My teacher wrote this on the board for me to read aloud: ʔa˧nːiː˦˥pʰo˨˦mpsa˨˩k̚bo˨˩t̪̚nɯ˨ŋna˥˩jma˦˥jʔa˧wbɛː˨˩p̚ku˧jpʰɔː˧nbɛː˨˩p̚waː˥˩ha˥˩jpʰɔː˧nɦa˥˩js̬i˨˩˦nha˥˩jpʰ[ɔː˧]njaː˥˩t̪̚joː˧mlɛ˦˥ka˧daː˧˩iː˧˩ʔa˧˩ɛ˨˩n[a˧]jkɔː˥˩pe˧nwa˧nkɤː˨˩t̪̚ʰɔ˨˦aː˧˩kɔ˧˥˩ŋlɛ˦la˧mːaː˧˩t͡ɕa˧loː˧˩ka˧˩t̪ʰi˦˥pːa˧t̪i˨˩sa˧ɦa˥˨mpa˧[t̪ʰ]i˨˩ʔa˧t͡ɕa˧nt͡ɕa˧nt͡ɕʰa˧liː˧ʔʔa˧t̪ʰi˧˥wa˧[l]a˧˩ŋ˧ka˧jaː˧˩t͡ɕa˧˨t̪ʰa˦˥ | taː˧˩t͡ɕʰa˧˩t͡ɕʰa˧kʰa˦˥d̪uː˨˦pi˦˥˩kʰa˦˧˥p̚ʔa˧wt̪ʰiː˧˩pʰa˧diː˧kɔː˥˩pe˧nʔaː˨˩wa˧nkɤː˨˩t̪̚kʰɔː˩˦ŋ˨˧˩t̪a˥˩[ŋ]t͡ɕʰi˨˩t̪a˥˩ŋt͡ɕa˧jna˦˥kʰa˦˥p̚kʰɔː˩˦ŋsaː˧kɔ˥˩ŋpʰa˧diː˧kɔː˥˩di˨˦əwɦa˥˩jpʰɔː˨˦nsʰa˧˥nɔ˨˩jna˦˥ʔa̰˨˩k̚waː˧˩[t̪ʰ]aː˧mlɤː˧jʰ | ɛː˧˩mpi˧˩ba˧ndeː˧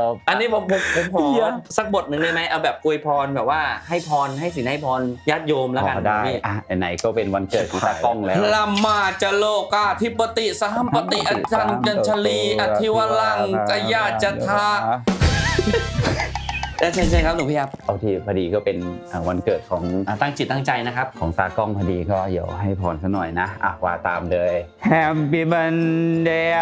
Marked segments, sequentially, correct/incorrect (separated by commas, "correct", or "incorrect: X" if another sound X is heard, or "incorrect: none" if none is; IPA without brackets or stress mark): correct, incorrect: a˩˦, incorrect: t̪, correct, correct, incorrect: t̪